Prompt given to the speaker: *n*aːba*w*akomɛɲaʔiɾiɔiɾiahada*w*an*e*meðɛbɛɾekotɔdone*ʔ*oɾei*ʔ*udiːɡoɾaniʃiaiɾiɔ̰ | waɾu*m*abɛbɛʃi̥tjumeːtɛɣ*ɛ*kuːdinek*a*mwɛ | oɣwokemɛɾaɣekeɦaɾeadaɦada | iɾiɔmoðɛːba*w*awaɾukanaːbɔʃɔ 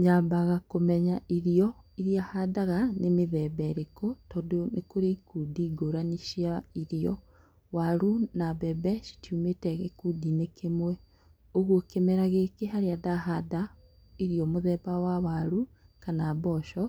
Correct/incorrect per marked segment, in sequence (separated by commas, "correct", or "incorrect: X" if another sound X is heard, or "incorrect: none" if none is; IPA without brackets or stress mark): incorrect: ɲ, incorrect: ɣ, incorrect: ɣ, correct, incorrect: k, incorrect: k, incorrect: n, incorrect: e, incorrect: e, correct